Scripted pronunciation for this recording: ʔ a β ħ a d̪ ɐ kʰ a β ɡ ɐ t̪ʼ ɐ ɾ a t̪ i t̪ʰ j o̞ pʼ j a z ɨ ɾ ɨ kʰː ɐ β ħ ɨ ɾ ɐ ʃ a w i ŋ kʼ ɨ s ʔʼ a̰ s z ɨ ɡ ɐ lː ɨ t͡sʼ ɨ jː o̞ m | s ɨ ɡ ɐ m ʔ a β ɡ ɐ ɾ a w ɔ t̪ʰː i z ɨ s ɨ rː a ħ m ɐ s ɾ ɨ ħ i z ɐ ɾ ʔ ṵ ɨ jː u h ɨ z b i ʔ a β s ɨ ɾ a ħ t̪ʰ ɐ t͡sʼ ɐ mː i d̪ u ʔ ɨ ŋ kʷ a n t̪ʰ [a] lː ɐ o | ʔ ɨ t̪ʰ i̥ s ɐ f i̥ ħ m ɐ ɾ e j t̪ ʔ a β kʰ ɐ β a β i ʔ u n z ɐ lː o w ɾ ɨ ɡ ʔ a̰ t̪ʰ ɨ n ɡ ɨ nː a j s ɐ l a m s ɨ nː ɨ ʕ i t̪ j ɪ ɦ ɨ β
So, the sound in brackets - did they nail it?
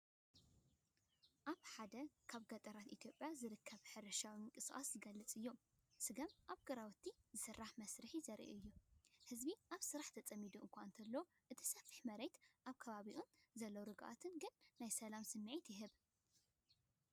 no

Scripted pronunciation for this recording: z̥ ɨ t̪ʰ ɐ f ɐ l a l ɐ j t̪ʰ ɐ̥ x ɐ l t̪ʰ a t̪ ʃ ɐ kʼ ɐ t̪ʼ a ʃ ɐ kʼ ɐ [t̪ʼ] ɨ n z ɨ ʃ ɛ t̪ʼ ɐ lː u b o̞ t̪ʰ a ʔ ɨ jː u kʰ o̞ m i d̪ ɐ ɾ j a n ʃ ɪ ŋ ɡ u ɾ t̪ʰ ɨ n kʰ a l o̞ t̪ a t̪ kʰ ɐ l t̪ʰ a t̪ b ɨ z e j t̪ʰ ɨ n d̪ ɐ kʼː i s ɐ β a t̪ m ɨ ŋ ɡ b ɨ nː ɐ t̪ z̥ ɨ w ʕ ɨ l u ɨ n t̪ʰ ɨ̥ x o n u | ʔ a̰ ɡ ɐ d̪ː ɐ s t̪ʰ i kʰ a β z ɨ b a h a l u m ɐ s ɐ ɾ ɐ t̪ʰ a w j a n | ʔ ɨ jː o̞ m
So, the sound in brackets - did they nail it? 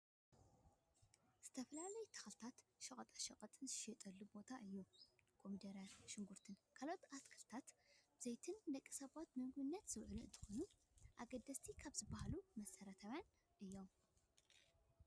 yes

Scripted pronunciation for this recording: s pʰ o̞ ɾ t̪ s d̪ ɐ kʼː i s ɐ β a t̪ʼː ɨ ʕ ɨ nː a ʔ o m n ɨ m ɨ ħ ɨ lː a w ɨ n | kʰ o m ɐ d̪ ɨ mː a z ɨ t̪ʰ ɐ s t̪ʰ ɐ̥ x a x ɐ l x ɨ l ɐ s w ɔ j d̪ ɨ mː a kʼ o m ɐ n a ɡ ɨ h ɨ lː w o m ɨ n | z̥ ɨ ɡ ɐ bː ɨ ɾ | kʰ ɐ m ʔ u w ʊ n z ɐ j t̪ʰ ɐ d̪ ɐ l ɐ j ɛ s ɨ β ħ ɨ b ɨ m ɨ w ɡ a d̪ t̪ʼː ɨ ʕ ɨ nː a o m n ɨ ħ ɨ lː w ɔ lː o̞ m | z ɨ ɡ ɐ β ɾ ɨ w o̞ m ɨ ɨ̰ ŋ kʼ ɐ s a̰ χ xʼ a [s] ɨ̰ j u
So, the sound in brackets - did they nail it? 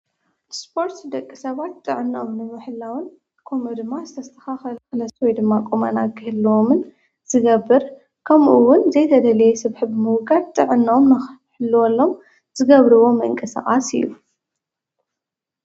yes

